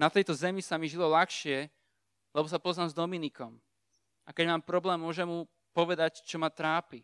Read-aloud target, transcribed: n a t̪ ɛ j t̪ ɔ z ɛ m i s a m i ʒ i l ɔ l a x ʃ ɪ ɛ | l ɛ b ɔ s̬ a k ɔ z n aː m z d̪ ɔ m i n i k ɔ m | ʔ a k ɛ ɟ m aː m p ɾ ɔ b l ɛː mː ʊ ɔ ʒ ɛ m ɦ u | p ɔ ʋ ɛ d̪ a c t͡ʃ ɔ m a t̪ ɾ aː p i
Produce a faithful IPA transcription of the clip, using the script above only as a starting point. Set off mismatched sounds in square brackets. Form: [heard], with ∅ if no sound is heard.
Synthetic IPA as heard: n a t̪ ɛ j t̪ ɔ z ɛ m i s a m i ʒ i l ɔ l a x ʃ ɪ ɛ | l ɛ b ɔ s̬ a [p] ɔ z n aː m z d̪ ɔ m i n i k ɔ m | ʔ a k ɛ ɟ m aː m p ɾ ɔ b l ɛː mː ʊ ɔ ʒ ɛ m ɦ u | p ɔ ʋ ɛ d̪ a c t͡ʃ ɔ m a t̪ ɾ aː p i